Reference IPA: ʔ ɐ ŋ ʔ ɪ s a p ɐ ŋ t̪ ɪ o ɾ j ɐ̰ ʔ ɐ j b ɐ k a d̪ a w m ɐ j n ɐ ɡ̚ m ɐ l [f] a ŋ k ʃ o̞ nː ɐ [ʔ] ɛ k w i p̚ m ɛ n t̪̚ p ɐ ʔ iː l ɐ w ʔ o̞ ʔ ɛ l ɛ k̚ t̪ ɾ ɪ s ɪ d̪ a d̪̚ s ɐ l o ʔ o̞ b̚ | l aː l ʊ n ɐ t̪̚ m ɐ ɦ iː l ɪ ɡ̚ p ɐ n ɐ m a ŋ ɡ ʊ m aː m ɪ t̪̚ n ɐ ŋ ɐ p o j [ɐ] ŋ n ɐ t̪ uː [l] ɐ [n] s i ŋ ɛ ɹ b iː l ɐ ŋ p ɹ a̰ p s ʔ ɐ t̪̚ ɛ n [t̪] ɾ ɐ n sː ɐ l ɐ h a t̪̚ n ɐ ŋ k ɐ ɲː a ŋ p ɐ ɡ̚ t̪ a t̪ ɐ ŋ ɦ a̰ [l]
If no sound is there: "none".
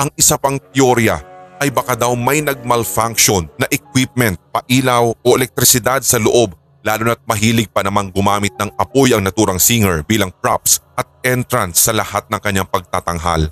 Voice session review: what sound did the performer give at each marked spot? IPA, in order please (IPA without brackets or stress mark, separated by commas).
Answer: f, ʔ, ɐ, ɾ, ŋ, t̪, l